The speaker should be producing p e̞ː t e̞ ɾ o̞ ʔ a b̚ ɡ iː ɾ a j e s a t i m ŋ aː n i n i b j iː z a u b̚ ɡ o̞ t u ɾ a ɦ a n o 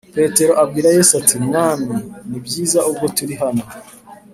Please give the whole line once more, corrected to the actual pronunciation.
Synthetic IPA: p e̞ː t e̞ ɾ o̞ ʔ a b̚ ɡ iː ɾ a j e s a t i m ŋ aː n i n i b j iː z a u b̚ ɡ o̞ t u ɾ i ɦ a n o